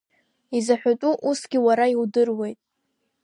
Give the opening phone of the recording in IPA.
i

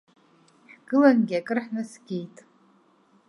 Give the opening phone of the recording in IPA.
ħ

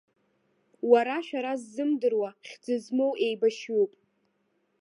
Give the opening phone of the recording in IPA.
w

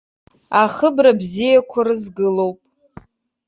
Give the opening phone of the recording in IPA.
a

